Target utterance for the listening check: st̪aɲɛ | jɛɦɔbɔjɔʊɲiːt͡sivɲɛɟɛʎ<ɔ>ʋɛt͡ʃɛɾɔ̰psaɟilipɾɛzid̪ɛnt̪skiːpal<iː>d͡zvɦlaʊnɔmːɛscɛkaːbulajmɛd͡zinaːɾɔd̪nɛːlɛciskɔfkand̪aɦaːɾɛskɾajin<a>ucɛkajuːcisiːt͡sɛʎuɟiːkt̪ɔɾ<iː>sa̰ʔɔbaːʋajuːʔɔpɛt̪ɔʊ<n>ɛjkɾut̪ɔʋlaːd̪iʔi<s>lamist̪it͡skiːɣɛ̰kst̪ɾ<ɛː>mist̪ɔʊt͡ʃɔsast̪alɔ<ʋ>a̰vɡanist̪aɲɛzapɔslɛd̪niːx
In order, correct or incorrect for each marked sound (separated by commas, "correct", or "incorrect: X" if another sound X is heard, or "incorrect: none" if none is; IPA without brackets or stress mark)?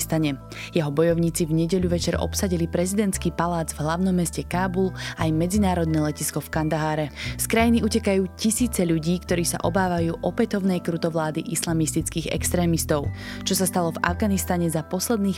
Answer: incorrect: u, incorrect: aː, incorrect: i, correct, correct, correct, correct, incorrect: v